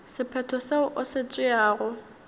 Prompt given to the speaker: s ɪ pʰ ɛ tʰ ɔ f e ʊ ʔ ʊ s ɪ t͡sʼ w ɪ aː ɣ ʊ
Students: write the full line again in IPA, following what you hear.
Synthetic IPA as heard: s ɪ pʰ ɛ tʰ ɔ s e ʊ ʔ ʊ s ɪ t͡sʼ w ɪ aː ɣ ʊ

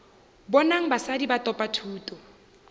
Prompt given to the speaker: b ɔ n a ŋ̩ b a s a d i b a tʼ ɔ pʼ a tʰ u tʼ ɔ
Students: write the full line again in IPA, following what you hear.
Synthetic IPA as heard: b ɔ n a ŋ̩ b a s a d i b a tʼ ɔ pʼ a tʰ uː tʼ ɔ

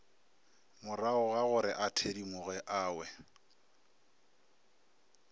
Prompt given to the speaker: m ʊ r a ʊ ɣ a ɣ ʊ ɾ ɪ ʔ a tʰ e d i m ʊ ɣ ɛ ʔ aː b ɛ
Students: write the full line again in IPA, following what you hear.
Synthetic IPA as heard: m ʊ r a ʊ ɣ a ɣ ʊ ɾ ɪ ʔ a tʰ e d i m ʊ ɣ ɛ ʔ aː w ɛ

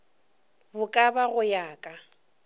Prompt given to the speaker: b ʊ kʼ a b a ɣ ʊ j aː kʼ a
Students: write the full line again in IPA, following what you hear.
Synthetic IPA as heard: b ʊ kʼ a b a ɣ ʊ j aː kʼ a

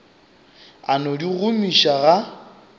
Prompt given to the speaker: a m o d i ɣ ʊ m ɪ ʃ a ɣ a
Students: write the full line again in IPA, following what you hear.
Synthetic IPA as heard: a n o d i ɣ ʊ m i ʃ a ɣ a

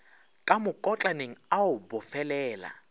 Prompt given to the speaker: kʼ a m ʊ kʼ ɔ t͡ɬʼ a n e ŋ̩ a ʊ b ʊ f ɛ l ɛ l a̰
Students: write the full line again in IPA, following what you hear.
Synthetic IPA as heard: kʼ a m ʊ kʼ ɔ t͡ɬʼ a n e ŋ̩ a ʊ b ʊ f ɛ l ɛː l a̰

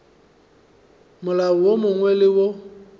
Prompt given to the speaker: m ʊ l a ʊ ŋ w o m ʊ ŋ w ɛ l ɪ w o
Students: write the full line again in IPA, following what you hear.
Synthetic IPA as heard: m ʊ l a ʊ w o m ʊ ŋ w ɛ l ɪ w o

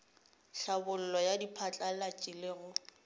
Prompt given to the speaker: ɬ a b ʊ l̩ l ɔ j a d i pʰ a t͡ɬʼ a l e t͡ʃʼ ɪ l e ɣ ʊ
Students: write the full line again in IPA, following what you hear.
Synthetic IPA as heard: ɬ a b ʊ l̩ l ɔ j a d i pʰ a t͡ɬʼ a l a t͡ʃʼ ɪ l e ɣ ʊ

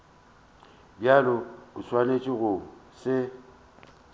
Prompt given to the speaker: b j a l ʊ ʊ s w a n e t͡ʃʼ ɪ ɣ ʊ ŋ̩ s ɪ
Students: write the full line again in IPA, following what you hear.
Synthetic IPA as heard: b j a l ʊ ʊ s w a n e t͡ʃʼ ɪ ɣ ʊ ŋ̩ s ɪ

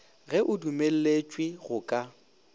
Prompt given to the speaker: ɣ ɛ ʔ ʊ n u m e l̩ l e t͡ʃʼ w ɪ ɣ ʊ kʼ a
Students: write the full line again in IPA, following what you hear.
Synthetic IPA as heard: ɣ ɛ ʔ ʊ d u m e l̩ l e t͡ʃʼ w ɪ ɣ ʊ kʼ a

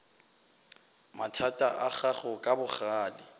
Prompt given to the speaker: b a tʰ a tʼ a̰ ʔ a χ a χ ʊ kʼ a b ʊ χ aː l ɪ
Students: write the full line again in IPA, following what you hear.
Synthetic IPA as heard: m a tʰ a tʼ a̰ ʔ a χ a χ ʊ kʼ a b ʊ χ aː l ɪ

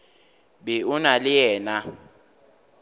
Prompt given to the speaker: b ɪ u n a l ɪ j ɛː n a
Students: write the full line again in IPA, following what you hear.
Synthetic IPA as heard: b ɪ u n a l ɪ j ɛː n a

